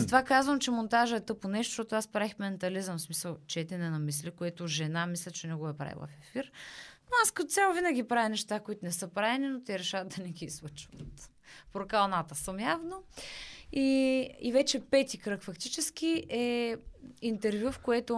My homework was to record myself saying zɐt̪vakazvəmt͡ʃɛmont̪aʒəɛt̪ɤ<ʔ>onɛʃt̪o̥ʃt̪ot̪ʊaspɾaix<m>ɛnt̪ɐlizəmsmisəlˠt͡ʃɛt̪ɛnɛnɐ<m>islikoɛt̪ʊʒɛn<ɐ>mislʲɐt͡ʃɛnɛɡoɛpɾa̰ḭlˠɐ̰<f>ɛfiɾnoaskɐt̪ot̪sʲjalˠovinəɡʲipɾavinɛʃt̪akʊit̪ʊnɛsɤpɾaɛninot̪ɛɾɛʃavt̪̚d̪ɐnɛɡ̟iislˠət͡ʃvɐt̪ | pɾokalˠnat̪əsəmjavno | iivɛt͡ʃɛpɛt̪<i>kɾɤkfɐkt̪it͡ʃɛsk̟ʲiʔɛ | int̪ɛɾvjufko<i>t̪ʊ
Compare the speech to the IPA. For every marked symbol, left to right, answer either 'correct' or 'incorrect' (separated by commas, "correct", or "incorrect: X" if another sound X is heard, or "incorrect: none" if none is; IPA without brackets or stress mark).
incorrect: p, correct, correct, incorrect: a, correct, correct, incorrect: ɛ